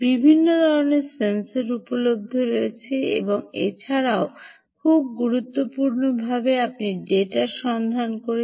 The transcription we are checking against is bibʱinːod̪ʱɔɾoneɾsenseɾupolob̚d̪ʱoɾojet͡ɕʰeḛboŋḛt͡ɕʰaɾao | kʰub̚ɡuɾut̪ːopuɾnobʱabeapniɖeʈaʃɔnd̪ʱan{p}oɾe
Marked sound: incorrect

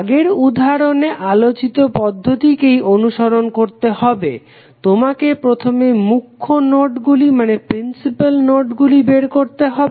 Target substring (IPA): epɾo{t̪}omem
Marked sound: incorrect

